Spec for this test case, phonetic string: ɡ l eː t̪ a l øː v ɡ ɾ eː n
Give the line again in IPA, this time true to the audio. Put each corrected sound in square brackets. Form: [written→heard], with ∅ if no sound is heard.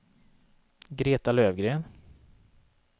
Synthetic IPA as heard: ɡ [l→ɾ] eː t̪ a l øː v ɡ ɾ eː n